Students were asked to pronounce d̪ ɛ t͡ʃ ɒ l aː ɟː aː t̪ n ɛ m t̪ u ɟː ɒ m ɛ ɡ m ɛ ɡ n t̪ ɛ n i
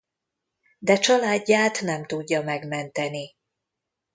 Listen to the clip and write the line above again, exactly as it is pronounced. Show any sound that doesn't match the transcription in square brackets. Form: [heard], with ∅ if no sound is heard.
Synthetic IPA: d̪ ɛ t͡ʃ ɒ l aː ɟː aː t̪ n ɛ m t̪ u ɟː ɒ m ɛ ɡ m ɛ [∅] n t̪ ɛ n i